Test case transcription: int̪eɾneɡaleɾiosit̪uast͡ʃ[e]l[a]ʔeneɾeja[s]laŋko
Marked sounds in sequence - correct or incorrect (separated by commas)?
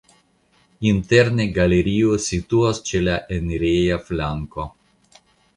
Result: correct, correct, incorrect